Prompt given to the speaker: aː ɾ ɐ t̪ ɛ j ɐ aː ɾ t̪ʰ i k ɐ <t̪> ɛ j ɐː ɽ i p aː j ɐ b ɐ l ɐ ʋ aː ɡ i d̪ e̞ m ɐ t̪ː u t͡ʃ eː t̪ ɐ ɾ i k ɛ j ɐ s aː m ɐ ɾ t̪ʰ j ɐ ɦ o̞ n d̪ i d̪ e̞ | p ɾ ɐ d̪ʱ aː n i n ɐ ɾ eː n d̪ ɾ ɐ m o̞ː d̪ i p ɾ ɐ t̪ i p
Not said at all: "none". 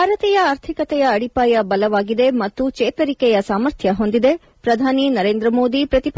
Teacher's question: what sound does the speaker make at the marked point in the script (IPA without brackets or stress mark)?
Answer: t̪